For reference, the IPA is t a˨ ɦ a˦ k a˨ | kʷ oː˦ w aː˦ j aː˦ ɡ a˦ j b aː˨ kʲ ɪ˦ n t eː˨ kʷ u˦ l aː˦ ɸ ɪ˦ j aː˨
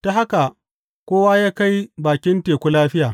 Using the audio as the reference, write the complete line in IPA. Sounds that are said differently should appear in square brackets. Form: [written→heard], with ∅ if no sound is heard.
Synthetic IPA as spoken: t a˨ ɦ a˦ k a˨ | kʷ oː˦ w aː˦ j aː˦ [ɡ→k] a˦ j b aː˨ kʲ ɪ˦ n t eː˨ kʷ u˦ l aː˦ ɸ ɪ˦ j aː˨